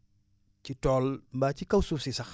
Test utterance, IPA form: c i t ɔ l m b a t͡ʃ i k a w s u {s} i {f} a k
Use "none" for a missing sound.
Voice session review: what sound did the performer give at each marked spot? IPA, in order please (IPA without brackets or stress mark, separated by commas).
s, s